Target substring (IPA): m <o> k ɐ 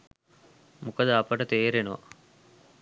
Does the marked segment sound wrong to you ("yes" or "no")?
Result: yes